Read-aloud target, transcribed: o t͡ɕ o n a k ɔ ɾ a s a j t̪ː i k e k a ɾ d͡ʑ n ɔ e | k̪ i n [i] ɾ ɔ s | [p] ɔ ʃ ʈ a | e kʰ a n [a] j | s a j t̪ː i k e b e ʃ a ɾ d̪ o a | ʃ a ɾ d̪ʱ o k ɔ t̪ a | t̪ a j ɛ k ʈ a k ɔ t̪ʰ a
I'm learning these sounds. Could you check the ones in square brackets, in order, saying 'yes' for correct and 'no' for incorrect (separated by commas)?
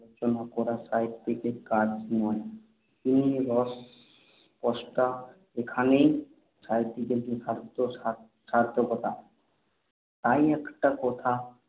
yes, yes, no